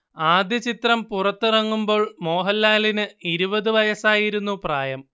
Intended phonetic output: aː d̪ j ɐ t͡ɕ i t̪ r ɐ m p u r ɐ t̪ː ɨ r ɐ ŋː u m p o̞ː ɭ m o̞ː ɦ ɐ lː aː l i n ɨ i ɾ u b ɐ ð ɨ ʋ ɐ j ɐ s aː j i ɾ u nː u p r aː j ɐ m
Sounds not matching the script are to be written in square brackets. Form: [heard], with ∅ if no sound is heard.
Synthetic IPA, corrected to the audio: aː d̪ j ɐ t͡ɕ i t̪ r ɐ m p u r ɐ t̪ː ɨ r ɐ ŋː u m [b] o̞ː ɭ m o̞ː ɦ ɐ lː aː l i n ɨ i ɾ u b ɐ ð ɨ ʋ ɐ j ɐ s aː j i ɾ u nː u p r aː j ɐ m